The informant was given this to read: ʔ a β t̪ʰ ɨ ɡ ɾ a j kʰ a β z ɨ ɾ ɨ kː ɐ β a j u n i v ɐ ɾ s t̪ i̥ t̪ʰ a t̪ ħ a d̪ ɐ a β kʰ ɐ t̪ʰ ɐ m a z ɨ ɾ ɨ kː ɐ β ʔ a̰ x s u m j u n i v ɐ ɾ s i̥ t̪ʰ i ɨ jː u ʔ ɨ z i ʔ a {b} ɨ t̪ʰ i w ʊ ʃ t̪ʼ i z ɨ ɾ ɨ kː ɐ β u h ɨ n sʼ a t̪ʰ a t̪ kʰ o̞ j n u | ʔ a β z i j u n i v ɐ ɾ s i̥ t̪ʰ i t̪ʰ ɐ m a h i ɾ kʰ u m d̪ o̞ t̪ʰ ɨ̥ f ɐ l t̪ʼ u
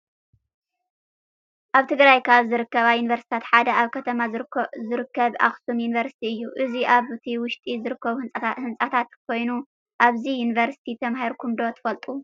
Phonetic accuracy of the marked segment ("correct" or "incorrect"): incorrect